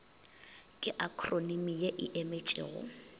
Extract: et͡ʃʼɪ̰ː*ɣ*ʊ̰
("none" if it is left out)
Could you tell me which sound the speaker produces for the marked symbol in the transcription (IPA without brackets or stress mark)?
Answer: ɣ